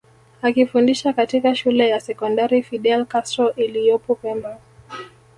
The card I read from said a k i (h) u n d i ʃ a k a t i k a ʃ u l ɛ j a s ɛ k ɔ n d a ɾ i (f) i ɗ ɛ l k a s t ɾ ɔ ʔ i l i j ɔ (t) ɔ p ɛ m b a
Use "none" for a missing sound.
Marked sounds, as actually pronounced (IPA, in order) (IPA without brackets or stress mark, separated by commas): f, f, p